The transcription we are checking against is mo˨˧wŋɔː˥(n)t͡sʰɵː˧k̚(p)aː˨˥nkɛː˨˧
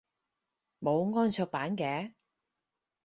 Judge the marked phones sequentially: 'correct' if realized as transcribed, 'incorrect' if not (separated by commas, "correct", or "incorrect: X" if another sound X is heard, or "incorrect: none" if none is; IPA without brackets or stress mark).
correct, correct